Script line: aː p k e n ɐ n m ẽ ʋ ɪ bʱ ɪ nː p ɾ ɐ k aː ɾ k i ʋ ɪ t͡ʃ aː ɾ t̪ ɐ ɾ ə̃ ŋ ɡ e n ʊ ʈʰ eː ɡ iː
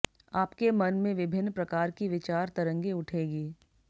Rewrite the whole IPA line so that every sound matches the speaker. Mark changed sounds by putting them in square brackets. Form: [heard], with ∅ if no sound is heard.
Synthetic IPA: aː p k e [m] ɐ n m ẽ ʋ ɪ bʱ ɪ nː p ɾ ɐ k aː ɾ k i ʋ ɪ t͡ʃ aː ɾ t̪ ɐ ɾ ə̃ ŋ ɡ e [∅] ʊ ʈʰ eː ɡ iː